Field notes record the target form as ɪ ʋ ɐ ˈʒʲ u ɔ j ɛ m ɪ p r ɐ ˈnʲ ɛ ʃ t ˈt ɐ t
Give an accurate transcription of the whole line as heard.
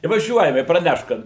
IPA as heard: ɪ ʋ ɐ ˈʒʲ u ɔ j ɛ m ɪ p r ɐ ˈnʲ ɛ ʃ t ˈk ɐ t